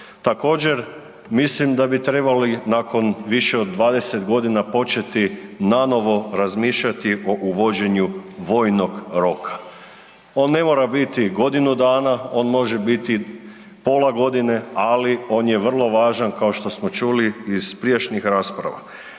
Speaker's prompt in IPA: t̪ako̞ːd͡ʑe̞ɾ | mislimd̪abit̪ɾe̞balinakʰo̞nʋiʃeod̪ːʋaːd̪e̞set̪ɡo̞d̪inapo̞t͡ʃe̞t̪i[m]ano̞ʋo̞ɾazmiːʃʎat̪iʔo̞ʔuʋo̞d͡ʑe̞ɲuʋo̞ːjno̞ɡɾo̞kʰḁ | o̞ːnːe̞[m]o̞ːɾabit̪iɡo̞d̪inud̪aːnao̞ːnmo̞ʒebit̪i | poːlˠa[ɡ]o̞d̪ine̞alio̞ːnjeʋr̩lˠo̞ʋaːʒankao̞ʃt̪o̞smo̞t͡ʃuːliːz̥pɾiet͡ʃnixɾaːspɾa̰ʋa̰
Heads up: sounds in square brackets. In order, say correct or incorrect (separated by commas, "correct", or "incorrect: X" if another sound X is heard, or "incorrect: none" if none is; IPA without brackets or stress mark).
incorrect: n, correct, correct